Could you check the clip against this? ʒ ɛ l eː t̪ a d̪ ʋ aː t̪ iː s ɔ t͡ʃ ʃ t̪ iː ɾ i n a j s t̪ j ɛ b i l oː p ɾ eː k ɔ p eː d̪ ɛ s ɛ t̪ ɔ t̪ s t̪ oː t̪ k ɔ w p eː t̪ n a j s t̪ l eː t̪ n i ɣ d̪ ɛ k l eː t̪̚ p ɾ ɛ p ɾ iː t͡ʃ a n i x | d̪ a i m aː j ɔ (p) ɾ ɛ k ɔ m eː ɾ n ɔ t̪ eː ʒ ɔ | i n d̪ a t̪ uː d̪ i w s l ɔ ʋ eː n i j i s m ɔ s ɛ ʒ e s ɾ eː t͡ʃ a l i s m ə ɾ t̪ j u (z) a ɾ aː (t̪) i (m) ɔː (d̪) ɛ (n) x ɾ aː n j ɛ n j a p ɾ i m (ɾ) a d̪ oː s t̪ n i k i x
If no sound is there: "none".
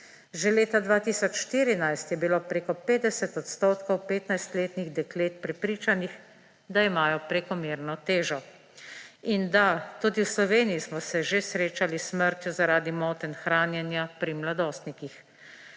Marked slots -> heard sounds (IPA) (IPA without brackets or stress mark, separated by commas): p, z, d̪, m, t̪, n, l